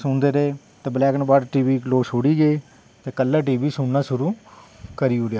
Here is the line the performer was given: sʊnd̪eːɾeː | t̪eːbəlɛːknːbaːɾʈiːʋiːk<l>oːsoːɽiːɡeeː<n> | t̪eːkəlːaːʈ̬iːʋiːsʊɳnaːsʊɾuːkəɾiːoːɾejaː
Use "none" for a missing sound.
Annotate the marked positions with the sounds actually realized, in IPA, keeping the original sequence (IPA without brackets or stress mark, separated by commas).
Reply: l, none